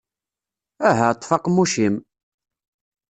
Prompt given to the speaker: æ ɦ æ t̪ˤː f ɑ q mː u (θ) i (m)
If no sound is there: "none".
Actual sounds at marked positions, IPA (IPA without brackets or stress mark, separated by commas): ʃ, m